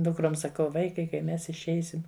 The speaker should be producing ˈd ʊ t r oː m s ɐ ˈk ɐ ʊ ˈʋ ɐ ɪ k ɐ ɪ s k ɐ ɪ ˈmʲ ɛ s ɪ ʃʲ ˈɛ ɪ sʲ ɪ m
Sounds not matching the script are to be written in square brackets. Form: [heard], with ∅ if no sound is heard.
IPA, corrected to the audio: ˈd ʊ [k] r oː m s ɐ ˈk ɐ ʊ ˈʋ ɐ ɪ k ɐ ɪ [∅] k ɐ ɪ ˈmʲ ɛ s ɪ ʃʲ ˈɛ ɪ sʲ ɪ m

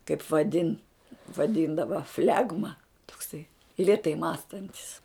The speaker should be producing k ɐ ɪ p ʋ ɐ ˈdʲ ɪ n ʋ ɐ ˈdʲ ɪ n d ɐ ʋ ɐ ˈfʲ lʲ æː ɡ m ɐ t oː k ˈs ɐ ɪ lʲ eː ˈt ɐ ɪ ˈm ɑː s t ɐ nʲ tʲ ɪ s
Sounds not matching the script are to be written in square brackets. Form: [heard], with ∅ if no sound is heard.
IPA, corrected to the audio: k ɐ ɪ p ʋ ɐ ˈdʲ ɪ n ʋ ɐ ˈdʲ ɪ n d ɐ ʋ ɐ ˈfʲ lʲ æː ɡ m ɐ t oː k ˈs ɐ ɪ lʲ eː ˈt ɐ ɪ ˈm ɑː s t ɐ nʲ tʲ ɪ s

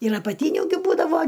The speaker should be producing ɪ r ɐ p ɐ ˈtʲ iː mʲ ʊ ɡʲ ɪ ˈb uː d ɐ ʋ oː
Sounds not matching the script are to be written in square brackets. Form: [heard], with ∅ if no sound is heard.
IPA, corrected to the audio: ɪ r ɐ p ɐ ˈtʲ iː [nʲ] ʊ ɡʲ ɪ ˈb uː d ɐ ʋ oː

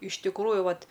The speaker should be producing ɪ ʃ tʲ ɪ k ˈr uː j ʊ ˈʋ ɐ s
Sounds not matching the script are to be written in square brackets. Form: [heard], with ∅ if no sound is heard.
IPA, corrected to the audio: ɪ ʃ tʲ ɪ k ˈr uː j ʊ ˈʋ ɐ [t]

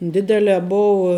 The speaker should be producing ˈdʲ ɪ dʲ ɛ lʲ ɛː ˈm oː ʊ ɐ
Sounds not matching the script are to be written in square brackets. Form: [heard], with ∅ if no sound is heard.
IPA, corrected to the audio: ˈdʲ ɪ dʲ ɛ lʲ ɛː [ˈb] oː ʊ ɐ

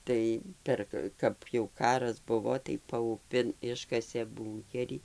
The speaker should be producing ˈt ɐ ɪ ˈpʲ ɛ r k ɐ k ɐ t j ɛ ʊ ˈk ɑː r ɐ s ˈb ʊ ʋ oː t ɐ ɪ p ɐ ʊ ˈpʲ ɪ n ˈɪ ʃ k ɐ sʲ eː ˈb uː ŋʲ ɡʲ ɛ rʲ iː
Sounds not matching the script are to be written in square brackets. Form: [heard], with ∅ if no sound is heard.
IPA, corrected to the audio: ˈt ɐ ɪ ˈpʲ ɛ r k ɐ k ɐ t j ɛ ʊ ˈk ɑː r ɐ s ˈb ʊ ʋ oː t ɐ ɪ p ɐ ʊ ˈpʲ ɪ n ˈɪ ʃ k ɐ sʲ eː ˈb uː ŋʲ [kʲ] ɛ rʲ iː

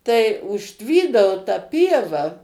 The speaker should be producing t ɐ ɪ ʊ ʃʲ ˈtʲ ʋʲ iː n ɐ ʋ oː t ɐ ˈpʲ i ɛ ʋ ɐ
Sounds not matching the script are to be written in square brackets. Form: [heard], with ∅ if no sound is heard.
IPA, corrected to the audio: t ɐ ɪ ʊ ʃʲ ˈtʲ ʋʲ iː [d] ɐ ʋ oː t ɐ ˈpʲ i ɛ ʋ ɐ

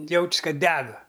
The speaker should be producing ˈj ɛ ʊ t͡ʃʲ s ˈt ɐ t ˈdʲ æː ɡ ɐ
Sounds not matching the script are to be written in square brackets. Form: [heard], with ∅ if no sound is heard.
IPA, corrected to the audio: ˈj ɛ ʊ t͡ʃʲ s [ˈk] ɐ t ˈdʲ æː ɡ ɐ

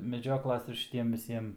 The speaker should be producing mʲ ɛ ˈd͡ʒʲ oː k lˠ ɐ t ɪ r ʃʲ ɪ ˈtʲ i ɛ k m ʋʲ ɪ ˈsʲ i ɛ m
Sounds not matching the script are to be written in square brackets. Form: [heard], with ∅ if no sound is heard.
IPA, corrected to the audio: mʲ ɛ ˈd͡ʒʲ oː k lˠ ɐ [s] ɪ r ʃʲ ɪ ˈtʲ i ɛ [∅] m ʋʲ ɪ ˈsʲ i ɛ m

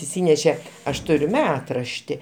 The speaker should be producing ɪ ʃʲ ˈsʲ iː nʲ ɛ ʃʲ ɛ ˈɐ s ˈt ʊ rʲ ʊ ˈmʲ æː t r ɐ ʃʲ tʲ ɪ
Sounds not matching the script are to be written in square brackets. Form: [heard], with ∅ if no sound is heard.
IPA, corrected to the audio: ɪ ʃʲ ˈsʲ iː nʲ ɛ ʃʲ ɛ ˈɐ [ʃ] ˈt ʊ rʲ ʊ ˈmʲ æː t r ɐ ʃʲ tʲ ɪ

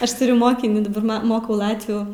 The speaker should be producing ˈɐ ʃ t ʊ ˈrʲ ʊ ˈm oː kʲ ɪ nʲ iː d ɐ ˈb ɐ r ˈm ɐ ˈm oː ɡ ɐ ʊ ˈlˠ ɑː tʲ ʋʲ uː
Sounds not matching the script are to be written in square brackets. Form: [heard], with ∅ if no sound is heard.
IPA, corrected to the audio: ˈɐ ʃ t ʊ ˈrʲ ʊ ˈm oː kʲ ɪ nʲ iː d ɐ ˈb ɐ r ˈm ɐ ˈm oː [k] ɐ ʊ ˈlˠ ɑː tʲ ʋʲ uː

